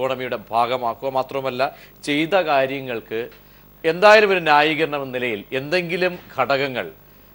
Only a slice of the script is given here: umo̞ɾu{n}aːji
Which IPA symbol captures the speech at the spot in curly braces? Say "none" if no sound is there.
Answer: n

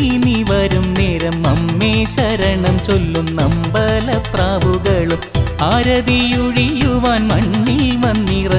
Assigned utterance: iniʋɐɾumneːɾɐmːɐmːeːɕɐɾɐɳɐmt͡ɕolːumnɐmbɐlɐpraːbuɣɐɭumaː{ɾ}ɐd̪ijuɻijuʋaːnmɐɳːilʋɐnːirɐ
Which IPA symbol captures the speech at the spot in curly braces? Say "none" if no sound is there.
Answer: ɾ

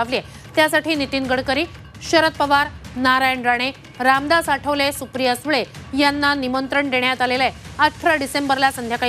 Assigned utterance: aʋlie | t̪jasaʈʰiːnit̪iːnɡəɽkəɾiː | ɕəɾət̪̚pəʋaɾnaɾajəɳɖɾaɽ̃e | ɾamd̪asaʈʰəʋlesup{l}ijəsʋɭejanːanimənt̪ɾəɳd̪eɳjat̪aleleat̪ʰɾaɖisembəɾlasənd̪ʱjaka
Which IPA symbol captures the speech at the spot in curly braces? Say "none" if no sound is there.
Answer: ɾ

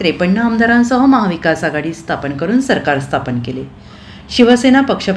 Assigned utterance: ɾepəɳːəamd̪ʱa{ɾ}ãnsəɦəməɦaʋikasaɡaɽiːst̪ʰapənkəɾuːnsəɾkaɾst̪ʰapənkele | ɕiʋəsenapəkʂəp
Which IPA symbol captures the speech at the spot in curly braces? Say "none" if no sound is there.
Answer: ɾ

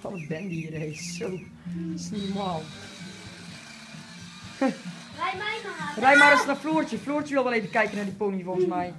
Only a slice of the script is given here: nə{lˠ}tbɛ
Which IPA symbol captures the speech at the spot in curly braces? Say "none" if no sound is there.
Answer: none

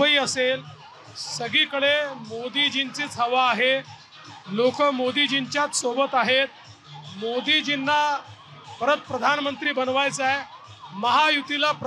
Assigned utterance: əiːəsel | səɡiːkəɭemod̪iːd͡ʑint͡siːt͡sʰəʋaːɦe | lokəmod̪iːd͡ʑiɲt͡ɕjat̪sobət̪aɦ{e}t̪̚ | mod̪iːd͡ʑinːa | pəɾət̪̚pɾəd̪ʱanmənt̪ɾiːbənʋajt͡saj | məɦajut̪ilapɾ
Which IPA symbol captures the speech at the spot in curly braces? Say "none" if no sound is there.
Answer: e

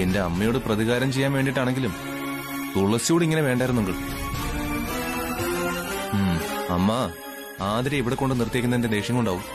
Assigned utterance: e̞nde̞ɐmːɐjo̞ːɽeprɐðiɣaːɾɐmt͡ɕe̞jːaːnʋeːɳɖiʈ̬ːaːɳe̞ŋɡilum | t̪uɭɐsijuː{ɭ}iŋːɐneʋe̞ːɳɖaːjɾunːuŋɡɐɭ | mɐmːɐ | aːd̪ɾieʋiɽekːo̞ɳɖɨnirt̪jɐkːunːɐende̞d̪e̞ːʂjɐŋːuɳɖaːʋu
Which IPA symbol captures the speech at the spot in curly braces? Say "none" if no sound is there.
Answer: ɽ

